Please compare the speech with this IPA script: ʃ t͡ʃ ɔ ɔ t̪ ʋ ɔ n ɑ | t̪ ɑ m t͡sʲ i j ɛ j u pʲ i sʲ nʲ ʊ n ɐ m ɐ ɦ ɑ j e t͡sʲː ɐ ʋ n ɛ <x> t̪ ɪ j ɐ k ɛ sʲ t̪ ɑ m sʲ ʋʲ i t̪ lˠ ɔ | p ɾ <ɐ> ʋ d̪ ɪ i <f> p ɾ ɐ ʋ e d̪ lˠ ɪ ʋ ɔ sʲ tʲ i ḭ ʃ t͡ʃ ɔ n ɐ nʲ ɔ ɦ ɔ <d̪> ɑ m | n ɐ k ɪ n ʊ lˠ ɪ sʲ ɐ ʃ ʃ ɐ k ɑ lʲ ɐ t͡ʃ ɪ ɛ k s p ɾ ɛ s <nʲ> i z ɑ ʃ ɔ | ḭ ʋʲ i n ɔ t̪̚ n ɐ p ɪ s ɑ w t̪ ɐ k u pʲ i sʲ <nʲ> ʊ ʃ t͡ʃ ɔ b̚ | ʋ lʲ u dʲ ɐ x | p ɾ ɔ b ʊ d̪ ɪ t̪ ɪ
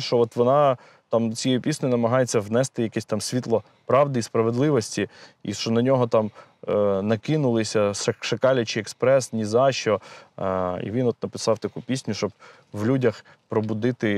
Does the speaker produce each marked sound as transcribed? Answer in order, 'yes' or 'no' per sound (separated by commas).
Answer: no, no, no, no, yes, yes